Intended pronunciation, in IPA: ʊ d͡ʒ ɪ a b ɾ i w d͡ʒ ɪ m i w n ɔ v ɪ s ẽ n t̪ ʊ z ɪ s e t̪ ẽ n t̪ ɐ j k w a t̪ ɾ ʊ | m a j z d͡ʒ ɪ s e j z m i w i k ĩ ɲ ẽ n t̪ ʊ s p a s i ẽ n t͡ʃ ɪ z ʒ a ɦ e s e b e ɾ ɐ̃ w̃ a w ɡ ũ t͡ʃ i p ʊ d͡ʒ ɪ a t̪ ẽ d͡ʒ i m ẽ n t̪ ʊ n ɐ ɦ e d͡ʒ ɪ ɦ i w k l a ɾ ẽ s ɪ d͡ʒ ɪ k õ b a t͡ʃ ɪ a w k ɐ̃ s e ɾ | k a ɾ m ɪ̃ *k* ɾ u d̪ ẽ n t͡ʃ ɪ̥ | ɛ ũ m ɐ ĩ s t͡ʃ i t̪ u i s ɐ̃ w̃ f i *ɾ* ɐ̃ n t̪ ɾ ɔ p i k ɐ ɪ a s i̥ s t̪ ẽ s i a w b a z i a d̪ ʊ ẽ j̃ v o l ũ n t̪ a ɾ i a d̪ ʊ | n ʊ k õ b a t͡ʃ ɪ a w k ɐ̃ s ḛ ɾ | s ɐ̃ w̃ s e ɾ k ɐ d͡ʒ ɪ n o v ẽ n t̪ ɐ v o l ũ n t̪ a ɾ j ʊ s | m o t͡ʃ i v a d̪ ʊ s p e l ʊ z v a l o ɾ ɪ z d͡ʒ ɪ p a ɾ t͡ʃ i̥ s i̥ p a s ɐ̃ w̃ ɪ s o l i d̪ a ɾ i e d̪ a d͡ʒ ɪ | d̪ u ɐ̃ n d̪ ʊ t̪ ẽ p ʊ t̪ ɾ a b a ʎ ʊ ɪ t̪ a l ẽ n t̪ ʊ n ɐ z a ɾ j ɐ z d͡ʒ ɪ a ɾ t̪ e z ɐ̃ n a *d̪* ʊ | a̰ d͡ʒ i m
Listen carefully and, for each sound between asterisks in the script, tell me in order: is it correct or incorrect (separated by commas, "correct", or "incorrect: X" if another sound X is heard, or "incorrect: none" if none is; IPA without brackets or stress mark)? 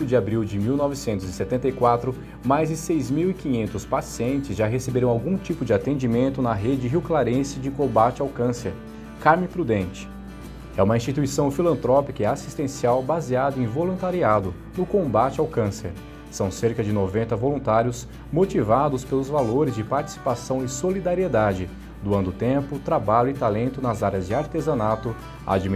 incorrect: p, incorrect: l, incorrect: t̪